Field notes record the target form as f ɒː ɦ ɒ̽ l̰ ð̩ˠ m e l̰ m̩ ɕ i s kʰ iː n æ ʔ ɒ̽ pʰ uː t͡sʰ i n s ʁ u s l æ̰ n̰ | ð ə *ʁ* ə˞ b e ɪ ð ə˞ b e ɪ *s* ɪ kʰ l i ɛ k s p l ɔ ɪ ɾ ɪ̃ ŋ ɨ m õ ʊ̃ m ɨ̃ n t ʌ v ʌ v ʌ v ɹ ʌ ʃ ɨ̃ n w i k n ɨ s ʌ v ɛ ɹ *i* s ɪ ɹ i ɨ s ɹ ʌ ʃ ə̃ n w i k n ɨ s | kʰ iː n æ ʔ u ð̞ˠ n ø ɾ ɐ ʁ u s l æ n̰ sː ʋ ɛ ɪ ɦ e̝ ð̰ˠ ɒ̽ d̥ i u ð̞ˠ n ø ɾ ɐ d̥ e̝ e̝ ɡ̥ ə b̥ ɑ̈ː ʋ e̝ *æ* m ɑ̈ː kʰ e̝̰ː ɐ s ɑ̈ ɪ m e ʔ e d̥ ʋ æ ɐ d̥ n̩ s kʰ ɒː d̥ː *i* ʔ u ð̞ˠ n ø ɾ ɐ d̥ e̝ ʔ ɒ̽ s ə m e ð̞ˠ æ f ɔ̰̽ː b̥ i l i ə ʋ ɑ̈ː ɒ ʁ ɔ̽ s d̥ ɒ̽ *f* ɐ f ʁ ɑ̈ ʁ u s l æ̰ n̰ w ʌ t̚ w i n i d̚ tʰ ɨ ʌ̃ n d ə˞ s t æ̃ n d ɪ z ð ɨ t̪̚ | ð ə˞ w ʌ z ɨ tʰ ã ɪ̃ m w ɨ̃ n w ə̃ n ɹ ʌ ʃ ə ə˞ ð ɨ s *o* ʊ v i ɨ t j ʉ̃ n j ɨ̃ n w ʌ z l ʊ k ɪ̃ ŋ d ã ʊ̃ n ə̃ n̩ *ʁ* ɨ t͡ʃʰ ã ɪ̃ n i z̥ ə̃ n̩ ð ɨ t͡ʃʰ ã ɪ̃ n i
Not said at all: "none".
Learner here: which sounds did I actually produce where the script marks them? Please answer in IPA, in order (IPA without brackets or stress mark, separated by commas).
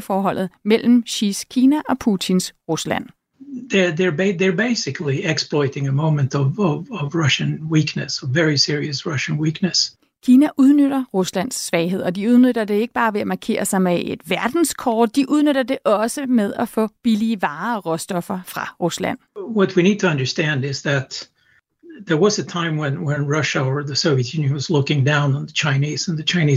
ð, s, i, æ, i, f, o, ð